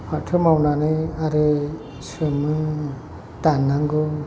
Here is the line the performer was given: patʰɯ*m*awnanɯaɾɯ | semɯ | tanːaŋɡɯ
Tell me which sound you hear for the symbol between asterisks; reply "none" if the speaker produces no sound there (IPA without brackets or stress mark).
m